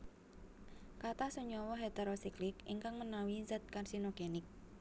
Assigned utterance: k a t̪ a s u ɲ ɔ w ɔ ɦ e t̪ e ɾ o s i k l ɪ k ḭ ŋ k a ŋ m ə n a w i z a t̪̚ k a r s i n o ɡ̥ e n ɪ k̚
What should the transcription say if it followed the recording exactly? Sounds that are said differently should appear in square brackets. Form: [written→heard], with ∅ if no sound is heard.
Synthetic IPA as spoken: k a t̪ a s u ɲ ɔ w ɔ ɦ e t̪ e ɾ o s i k l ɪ k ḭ ŋ k a ŋ m ə n a w i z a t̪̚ k a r s i n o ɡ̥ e n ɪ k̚